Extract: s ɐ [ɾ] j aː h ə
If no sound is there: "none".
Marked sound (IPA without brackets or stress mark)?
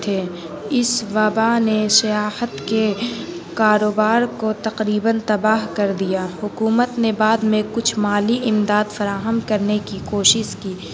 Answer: none